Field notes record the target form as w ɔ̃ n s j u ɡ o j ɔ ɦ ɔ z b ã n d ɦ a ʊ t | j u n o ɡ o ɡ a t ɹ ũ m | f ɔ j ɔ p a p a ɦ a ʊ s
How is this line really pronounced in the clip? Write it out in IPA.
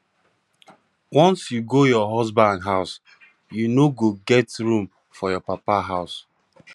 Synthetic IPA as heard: w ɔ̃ n s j u ɡ o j ɔ ɦ ɔ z b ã n d ɦ a ʊ s | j u n o ɡ o ɡ ɛ t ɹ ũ m | f ɔ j ɔ p a p a ɦ a ʊ s